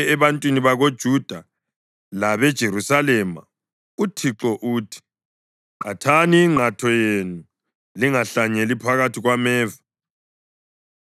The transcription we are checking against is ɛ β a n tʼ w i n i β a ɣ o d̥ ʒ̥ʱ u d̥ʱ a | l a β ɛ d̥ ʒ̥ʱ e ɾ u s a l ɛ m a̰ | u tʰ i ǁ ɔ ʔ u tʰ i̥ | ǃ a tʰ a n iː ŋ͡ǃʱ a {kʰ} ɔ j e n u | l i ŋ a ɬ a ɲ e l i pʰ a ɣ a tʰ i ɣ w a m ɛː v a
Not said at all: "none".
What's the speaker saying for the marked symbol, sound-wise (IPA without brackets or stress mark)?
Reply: tʰ